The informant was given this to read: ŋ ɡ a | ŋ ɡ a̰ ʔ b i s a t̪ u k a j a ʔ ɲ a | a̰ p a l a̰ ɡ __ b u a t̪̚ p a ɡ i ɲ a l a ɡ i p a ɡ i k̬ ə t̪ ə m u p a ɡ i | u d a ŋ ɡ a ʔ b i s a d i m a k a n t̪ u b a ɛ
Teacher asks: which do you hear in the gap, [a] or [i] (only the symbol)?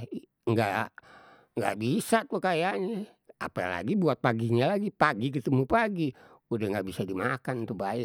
i